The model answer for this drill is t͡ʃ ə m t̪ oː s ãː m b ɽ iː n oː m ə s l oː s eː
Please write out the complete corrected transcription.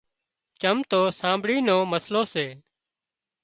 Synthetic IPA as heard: t͡ʃ ə m t̪ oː s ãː m b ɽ iː n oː m ə s l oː s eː